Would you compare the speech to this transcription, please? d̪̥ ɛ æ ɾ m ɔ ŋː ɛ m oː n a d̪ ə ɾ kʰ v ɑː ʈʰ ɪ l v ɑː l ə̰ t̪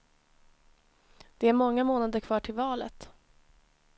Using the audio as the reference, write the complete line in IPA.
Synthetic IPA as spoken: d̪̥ ɛ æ ɾ m ɔ ŋː a m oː n a d̪ ə ɾ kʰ v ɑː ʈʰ ɪ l v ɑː l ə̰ t̪